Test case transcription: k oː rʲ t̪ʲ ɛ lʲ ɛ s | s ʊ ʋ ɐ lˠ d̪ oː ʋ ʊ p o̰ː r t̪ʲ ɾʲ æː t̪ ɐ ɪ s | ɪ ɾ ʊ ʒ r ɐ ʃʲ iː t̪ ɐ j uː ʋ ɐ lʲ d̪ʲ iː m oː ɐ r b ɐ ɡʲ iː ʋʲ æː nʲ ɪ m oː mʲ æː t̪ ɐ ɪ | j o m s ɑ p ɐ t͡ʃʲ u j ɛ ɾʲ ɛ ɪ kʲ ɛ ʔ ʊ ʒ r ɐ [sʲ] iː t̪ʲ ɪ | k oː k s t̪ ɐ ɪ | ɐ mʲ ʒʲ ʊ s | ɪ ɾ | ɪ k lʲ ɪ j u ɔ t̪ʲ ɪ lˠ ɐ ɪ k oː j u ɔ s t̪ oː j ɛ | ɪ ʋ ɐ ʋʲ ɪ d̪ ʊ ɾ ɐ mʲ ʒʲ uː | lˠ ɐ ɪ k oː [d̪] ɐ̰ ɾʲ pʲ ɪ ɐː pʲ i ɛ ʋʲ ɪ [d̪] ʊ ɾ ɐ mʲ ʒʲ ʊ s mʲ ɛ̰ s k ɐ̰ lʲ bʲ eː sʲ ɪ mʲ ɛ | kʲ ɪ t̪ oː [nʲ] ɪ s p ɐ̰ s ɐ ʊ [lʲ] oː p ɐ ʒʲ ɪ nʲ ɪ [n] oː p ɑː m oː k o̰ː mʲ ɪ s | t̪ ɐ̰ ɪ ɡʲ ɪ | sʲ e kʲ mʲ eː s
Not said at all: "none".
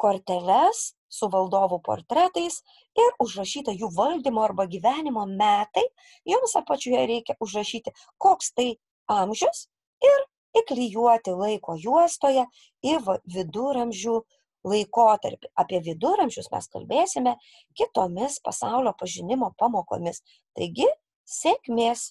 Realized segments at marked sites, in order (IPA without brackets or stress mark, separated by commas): ʃʲ, t̪, d̪, mʲ, lʲ, m